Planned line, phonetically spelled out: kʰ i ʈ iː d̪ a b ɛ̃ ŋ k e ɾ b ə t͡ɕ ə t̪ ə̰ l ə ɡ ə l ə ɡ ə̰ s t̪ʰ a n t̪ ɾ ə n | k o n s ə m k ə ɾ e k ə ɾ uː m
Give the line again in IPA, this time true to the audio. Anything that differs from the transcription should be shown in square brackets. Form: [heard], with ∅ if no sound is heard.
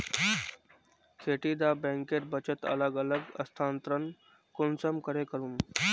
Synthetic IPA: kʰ [e] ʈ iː d̪ a b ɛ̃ ŋ k e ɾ b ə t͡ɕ ə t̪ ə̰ l ə ɡ ə l ə ɡ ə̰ s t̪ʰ a n t̪ ɾ ə n | k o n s ə m k ə ɾ e k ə ɾ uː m